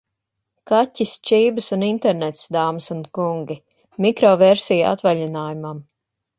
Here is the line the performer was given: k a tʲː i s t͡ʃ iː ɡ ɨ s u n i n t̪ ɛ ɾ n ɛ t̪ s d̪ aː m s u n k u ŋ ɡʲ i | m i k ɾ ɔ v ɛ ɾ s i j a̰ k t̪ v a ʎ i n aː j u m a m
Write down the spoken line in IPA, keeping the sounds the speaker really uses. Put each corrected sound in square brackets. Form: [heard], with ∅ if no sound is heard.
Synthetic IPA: k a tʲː i s t͡ʃ iː [b] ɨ s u n i n t̪ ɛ ɾ n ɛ t̪ s d̪ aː m s u n k u ŋ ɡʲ i | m i k ɾ ɔ v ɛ ɾ s i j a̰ [∅] t̪ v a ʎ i n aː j u m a m